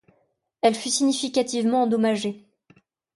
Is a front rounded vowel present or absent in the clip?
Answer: present